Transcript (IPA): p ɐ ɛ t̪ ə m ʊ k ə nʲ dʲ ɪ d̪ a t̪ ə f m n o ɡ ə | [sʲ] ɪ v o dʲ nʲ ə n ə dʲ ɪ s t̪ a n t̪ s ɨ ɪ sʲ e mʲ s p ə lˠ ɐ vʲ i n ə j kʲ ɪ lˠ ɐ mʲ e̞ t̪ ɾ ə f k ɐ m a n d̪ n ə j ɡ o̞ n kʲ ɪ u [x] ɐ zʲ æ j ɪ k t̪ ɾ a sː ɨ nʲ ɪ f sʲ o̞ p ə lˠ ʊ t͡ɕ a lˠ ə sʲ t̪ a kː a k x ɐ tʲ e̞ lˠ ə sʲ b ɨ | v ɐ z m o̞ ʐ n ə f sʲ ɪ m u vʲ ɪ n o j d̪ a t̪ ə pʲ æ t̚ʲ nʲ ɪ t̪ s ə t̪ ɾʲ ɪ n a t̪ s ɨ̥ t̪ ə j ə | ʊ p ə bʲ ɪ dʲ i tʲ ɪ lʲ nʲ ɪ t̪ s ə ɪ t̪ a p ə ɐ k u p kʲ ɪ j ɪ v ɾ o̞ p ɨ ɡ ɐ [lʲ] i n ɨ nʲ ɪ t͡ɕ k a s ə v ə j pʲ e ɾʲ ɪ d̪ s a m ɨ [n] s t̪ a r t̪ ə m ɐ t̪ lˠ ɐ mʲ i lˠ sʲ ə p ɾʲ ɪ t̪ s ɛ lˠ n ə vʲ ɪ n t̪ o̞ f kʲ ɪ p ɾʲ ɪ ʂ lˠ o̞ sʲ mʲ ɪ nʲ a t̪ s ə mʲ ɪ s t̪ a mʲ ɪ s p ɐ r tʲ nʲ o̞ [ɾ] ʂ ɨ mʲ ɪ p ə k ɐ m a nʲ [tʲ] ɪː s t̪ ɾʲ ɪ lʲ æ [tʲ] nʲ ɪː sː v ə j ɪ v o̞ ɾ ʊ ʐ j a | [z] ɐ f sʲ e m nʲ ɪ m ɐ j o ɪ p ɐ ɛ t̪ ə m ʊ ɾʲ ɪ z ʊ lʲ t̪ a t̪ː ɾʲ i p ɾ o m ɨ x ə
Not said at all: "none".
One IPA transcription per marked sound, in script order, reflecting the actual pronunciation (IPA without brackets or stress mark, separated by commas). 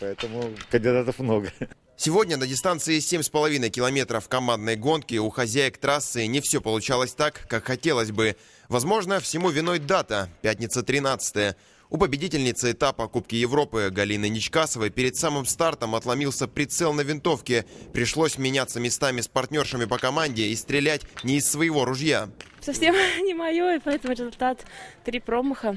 sʲ, x, lʲ, m, r, dʲ, tʲ, s